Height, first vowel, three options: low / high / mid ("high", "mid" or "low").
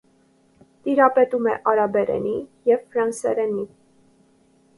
high